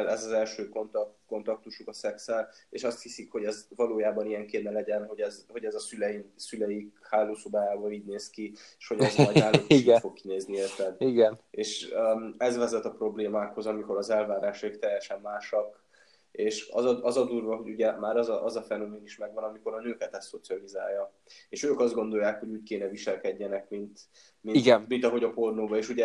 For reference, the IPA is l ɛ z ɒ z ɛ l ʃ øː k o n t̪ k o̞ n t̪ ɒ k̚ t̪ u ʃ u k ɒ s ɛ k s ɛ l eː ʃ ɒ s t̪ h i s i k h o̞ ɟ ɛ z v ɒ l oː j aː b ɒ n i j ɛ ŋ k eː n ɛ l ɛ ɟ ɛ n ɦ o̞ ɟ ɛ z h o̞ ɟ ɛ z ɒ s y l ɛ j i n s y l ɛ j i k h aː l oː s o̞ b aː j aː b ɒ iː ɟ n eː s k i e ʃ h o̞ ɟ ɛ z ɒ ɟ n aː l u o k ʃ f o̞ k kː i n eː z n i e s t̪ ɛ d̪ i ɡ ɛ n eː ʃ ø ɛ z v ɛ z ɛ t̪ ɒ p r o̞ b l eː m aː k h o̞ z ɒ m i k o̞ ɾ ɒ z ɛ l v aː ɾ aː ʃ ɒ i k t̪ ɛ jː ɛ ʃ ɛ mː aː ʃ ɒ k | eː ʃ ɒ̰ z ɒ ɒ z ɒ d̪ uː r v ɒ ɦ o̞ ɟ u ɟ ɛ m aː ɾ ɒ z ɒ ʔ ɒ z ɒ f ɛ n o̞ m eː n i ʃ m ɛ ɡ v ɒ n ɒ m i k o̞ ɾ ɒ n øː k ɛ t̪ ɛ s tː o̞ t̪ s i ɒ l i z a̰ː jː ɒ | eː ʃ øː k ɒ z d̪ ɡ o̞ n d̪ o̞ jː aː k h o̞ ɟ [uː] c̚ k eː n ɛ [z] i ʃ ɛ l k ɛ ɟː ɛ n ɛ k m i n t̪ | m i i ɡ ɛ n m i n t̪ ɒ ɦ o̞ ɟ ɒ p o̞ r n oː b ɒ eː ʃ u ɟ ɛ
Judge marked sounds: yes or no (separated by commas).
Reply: yes, no